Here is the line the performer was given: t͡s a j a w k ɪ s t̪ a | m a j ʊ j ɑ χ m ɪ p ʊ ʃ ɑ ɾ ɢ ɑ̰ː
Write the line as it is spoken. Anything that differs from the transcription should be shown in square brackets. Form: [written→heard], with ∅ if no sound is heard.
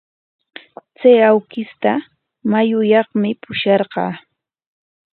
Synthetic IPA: t͡s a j a w k ɪ s t̪ a | m a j ʊ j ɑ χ m ɪ p ʊ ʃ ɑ ɾ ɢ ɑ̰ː